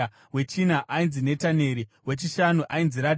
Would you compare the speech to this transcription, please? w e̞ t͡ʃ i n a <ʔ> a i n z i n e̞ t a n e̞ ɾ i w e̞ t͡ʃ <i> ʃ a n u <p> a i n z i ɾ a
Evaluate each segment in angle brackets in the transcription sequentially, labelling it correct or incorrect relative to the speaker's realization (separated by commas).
correct, correct, incorrect